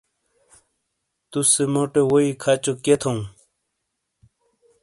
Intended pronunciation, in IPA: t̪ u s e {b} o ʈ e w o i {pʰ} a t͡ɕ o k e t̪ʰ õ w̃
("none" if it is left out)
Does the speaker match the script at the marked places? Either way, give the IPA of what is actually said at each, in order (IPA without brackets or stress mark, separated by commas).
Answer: m, kʰ